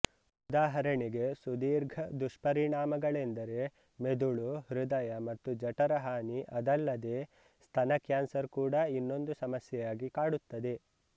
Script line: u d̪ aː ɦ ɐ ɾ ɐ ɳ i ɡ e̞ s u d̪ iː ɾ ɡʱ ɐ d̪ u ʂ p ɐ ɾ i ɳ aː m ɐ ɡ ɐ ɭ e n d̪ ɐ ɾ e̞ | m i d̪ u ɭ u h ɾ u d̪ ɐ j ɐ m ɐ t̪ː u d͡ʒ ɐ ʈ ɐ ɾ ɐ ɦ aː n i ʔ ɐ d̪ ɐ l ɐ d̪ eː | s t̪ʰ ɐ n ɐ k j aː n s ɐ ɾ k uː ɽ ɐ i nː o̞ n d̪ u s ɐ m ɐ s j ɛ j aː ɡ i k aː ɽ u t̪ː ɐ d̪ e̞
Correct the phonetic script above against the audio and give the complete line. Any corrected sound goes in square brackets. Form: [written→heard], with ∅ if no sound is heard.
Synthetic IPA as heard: u d̪ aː ɦ ɐ ɾ ɐ ɳ i ɡ e̞ s u d̪ iː ɾ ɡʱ ɐ d̪ u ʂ p ɐ ɾ i ɳ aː m ɐ ɡ ɐ ɭ e n d̪ ɐ ɾ e̞ | m [i→e] d̪ u ɭ u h ɾ u d̪ ɐ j ɐ m ɐ t̪ː u d͡ʒ ɐ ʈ ɐ ɾ ɐ ɦ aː n i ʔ ɐ d̪ ɐ [l→lː] ɐ d̪ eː | s t̪ʰ ɐ n ɐ k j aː n s ɐ ɾ k uː ɽ ɐ i nː o̞ n d̪ u s ɐ m ɐ s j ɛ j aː ɡ i k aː ɽ u t̪ː ɐ d̪ e̞